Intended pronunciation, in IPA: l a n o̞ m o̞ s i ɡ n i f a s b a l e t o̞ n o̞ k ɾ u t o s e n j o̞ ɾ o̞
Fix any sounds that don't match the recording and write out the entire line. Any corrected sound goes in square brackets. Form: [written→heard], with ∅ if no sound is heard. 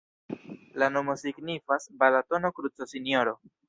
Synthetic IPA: l a n o̞ m o̞ s i ɡ n i f a s b a l [e→a] t o̞ n o̞ k ɾ u [t→t͡s] o s [e→i] n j o̞ ɾ o̞